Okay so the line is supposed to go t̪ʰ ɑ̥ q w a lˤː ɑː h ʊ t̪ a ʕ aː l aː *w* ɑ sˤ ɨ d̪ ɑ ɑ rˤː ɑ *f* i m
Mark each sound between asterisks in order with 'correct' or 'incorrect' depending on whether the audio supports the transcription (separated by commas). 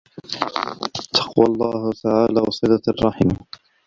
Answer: correct, incorrect